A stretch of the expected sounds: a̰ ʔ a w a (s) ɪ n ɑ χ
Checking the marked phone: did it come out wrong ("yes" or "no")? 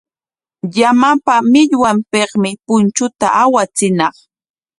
yes